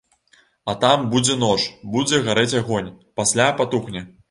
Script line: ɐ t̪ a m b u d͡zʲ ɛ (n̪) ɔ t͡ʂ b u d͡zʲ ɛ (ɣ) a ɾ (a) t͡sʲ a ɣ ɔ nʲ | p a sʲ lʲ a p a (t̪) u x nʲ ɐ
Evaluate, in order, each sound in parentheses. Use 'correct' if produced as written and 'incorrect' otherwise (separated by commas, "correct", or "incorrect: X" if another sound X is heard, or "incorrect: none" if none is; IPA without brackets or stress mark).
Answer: correct, correct, incorrect: ɛ, correct